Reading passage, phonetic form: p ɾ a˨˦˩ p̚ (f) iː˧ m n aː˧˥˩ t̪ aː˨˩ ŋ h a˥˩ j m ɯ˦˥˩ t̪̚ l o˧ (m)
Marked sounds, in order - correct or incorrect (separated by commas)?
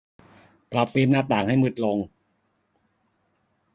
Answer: correct, incorrect